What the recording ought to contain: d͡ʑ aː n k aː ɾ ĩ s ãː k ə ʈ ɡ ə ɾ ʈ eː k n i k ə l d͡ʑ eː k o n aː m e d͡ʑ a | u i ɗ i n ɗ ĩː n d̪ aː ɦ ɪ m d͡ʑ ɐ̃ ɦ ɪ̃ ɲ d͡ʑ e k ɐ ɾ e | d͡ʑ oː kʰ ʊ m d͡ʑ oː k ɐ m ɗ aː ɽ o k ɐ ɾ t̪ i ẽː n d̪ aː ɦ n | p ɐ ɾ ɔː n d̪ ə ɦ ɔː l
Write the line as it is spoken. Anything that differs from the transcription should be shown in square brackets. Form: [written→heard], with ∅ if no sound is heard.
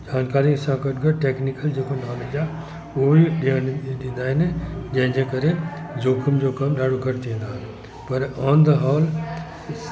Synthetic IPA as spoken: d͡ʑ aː n k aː ɾ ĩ s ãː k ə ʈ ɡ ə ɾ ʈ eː k n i k ə l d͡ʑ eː k o n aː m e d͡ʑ a | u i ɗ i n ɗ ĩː n d̪ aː ɦ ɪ [m→n] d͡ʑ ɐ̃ ɦ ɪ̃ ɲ d͡ʑ e k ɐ ɾ e | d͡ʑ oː kʰ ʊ m d͡ʑ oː k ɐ m ɗ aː ɽ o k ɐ ɾ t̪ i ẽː n d̪ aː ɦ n | p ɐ ɾ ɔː n d̪ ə ɦ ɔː l